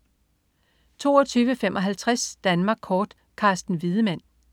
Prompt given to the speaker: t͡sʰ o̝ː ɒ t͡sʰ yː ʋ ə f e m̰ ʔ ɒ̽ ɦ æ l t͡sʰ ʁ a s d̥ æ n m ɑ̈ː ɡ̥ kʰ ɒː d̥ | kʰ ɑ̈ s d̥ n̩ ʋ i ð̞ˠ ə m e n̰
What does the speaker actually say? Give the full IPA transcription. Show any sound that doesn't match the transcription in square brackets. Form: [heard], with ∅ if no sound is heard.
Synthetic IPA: t͡sʰ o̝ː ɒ t͡sʰ yː ʋ ə f e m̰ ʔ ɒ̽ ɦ æ l t͡sʰ ʁ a s d̥ æ n m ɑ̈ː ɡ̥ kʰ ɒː d̥ | kʰ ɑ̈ s d̥ n̩ ʋ i ð̞ˠ ə m [æ] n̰